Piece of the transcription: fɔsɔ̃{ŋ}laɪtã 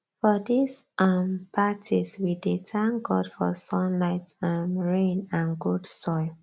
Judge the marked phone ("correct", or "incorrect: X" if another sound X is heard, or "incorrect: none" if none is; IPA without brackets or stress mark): incorrect: n